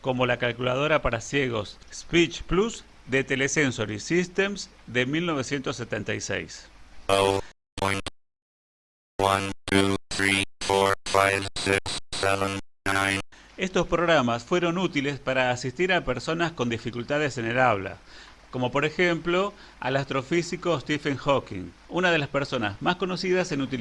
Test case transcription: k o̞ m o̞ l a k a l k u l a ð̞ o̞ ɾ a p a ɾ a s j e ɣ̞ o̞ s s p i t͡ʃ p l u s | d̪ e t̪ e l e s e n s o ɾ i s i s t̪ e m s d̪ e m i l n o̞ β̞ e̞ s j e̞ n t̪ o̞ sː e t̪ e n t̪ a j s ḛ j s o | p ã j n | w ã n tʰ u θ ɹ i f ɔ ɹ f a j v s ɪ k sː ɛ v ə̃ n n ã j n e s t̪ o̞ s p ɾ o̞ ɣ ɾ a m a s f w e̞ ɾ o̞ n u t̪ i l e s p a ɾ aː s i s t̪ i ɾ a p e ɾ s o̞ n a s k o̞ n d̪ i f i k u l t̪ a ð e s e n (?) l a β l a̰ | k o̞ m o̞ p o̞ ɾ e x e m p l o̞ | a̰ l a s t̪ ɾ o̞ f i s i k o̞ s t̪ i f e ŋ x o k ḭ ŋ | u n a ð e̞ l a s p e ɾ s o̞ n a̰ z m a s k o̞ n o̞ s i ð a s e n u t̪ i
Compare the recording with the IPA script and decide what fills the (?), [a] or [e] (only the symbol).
e